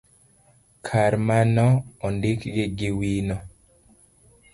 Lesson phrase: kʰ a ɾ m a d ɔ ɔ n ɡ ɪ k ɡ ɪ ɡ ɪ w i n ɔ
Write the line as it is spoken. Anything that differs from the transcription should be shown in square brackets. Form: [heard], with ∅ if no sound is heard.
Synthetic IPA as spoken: kʰ a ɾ m a [n] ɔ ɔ n [d] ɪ k ɡ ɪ ɡ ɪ w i n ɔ

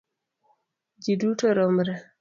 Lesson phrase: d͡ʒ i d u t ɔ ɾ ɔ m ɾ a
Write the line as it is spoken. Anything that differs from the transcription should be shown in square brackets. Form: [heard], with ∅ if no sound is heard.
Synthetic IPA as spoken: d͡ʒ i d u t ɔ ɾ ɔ m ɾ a

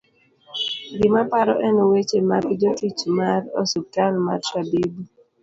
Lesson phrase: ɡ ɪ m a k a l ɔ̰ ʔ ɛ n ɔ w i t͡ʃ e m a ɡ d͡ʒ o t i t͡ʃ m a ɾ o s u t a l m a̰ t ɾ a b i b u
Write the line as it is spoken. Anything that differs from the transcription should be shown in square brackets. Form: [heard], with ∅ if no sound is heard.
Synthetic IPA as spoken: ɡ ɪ m a [p] a [ɾ] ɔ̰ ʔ ɛ n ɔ w [e] t͡ʃ e m a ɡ d͡ʒ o t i t͡ʃ m a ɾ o s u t a l m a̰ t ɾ a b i b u

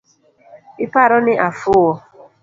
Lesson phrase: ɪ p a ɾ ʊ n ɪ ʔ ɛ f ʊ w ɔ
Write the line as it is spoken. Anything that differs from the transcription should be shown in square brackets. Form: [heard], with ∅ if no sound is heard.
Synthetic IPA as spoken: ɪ p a ɾ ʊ n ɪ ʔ [a] f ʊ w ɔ

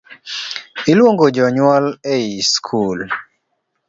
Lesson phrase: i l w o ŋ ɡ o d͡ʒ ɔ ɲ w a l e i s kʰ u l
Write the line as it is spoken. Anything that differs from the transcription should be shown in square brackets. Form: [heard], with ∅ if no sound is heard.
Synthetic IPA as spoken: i l w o ŋ ɡ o d͡ʒ ɔ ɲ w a l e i s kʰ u l

